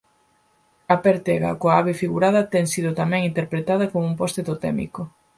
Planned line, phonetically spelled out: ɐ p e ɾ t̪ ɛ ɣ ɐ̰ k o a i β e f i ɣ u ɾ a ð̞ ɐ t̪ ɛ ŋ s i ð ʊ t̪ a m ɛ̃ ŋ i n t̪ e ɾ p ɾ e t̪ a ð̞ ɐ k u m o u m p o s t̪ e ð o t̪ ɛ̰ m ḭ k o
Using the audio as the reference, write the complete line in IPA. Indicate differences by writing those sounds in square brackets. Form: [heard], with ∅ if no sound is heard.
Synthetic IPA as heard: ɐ p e ɾ t̪ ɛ ɣ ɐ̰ k o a [a] β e f i ɣ u ɾ a ð̞ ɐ t̪ ɛ ŋ s i ð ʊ t̪ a m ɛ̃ ŋ i n t̪ e ɾ p ɾ e t̪ a ð̞ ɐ k [o] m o u m p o s t̪ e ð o t̪ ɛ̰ m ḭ k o